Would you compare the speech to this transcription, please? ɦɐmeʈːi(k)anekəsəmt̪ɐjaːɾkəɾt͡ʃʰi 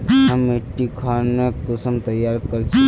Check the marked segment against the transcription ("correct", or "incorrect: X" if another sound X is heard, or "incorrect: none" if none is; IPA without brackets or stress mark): incorrect: kʰ